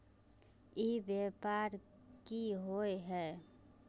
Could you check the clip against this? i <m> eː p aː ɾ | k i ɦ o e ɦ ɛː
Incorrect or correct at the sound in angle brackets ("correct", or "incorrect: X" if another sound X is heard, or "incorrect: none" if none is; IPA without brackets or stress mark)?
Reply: incorrect: b